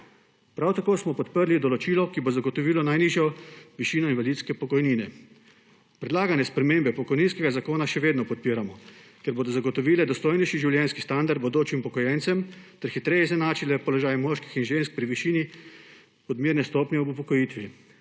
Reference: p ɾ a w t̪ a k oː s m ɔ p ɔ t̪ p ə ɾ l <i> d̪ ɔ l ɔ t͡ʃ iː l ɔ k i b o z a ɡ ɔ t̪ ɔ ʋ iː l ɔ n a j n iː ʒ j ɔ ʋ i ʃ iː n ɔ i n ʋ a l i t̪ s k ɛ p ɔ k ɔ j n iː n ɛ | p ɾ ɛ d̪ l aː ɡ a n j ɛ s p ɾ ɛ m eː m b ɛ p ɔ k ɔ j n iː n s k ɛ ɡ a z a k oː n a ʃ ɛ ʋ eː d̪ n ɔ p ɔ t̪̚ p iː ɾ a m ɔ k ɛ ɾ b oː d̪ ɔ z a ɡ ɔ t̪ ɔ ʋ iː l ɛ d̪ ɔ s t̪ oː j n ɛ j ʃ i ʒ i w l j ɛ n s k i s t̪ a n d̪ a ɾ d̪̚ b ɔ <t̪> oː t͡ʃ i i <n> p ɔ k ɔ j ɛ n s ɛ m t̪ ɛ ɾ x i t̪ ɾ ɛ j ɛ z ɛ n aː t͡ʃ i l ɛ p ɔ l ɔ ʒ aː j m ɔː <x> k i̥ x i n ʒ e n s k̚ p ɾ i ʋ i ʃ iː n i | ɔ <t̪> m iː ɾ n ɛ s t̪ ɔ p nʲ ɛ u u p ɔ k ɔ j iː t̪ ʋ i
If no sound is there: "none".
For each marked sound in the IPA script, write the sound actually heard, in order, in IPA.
i, d̪, m, ʃ, d̪

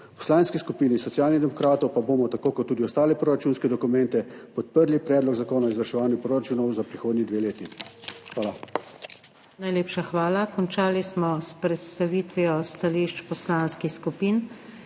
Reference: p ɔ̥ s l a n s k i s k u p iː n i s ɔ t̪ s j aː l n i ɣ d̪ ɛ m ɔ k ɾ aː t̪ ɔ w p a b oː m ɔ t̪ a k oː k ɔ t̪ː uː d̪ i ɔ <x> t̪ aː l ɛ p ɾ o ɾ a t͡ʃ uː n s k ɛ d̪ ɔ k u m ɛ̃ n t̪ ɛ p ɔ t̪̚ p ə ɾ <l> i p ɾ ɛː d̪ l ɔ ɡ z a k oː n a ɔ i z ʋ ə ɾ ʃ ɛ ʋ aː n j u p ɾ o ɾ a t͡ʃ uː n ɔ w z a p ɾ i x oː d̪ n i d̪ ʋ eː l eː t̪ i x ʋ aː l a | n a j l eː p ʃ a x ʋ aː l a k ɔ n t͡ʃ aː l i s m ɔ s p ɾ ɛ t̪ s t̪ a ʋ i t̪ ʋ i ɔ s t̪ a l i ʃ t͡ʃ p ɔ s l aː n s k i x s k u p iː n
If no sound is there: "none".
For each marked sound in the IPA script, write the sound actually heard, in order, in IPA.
s, l

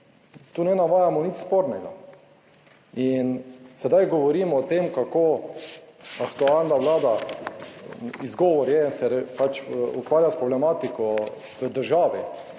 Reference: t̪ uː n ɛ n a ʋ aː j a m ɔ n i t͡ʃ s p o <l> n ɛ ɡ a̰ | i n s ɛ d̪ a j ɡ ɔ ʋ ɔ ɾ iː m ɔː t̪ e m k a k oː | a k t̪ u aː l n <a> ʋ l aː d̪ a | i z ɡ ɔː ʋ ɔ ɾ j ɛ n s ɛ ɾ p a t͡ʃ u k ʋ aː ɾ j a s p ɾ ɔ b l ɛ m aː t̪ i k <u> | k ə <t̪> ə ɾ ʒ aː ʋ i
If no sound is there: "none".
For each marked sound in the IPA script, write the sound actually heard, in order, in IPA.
ɾ, a, ɔ, d̪

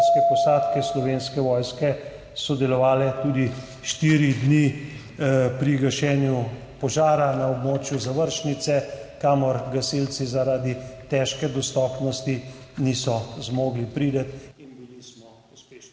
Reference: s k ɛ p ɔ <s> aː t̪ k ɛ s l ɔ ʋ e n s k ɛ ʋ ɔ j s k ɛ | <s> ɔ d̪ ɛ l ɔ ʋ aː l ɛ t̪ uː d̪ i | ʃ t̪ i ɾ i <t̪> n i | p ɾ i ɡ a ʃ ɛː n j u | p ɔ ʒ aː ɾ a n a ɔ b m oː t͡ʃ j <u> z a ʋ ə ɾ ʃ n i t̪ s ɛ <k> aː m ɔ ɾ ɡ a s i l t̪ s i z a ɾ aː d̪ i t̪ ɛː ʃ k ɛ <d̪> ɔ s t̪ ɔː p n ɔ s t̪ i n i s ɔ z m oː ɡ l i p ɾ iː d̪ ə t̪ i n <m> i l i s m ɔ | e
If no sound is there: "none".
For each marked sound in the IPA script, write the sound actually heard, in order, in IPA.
s, s, d̪, u, k, d̪, b

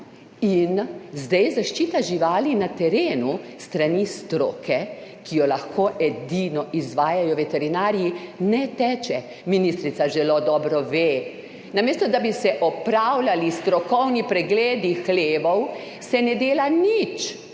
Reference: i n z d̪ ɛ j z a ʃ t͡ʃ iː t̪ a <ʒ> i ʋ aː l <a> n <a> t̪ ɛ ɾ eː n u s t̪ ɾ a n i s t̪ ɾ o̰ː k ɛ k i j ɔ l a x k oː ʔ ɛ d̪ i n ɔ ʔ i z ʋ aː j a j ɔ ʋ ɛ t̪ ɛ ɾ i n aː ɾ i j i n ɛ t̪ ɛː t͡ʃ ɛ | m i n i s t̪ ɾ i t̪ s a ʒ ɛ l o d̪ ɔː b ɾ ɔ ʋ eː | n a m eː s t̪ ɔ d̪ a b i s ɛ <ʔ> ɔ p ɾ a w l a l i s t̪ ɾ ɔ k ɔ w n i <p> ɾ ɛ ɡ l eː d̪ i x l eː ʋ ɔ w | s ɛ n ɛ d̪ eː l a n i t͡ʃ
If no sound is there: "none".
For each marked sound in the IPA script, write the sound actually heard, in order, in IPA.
ʒ, i, a, ʔ, p

